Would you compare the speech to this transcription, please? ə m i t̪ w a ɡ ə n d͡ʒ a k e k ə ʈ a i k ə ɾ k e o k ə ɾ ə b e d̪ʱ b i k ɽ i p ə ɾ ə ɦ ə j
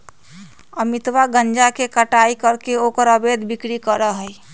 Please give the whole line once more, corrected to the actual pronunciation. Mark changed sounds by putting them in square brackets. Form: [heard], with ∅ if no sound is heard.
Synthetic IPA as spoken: ə m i t̪ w a ɡ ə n d͡ʒ a k e k ə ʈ a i k ə ɾ k e o k ə ɾ ə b e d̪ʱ b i k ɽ i [k] ə ɾ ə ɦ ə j